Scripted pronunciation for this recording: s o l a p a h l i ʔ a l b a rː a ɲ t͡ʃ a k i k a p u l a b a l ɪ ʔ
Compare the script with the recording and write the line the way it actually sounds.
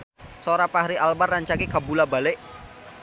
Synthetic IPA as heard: s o ɾ a p a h ɾ i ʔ a l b a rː a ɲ t͡ʃ a k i k a b u l a b a l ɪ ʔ